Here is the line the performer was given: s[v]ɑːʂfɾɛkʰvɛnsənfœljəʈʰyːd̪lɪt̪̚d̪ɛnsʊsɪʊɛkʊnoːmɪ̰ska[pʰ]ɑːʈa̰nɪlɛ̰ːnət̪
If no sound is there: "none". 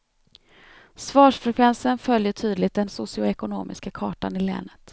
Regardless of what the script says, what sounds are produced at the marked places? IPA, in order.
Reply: v, kʰ

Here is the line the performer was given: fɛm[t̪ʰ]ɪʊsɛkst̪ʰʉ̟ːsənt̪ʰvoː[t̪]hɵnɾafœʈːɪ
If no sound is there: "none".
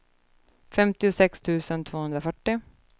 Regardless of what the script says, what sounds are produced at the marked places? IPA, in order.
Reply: t̪, none

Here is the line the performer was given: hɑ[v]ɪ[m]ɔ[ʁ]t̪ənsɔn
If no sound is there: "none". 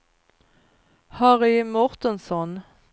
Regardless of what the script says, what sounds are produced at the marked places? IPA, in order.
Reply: ʁ, m, ʁ

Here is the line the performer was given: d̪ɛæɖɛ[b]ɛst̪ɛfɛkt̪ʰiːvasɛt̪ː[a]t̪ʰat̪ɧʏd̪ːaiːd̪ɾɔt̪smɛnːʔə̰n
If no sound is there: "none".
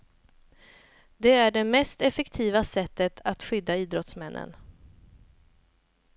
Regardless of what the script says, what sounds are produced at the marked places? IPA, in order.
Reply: m, ə

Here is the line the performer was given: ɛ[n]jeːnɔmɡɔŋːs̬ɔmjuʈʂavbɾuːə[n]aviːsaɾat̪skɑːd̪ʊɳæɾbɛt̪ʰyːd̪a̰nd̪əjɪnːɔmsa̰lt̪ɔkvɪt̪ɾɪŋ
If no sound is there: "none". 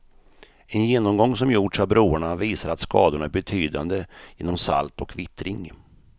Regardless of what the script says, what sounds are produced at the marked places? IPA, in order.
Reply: n, ɳ

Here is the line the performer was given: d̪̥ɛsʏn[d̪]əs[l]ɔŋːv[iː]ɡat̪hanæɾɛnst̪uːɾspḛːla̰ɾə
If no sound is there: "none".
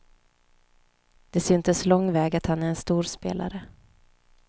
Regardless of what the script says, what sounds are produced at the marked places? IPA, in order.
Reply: t̪, l, ɛː

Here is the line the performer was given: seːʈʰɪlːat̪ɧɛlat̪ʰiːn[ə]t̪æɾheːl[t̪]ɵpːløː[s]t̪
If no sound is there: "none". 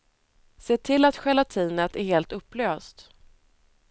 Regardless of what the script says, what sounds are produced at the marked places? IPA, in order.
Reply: ə, t̪, s

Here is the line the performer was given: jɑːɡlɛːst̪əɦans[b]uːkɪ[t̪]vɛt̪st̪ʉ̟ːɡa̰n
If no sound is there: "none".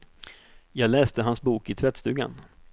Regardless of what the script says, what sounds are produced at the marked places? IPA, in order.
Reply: b, t̪ʰ

